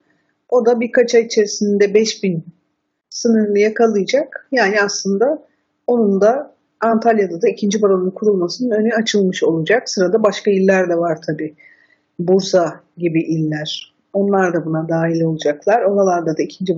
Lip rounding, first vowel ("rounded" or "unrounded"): rounded